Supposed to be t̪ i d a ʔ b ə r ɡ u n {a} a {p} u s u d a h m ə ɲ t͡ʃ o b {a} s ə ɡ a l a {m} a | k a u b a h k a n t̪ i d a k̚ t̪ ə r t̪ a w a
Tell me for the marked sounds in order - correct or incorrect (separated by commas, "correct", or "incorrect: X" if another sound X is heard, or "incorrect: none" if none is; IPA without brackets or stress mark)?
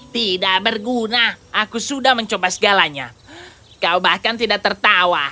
correct, incorrect: k, correct, incorrect: ɲ